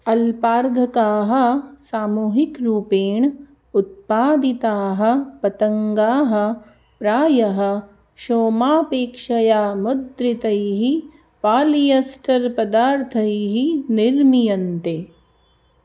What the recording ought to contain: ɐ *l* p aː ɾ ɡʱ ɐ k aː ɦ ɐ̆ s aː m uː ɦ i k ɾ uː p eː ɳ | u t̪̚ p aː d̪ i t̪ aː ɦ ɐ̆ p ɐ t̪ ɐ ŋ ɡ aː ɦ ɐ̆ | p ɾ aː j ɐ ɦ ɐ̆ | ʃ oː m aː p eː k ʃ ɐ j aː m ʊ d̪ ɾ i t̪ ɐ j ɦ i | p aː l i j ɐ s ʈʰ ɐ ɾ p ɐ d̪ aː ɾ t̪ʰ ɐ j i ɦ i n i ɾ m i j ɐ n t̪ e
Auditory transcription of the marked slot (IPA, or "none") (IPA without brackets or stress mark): l